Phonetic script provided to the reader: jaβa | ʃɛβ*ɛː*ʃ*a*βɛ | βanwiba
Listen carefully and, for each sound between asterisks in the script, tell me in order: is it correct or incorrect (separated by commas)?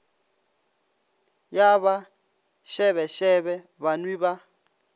incorrect, incorrect